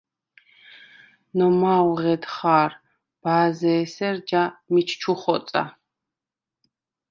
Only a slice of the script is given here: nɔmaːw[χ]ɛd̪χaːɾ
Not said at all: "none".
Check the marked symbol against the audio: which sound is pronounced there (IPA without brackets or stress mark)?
ʁ